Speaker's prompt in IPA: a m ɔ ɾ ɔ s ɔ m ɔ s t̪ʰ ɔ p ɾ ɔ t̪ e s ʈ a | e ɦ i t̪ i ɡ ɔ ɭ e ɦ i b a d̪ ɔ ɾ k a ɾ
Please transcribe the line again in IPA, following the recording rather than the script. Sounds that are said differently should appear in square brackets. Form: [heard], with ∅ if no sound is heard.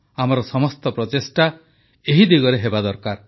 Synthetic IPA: a m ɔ ɾ ɔ s ɔ m ɔ s [t̪] ɔ p ɾ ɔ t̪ e s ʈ a | e ɦ i [d̪] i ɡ ɔ [ɾ] e ɦ [e] b a d̪ ɔ ɾ k a ɾ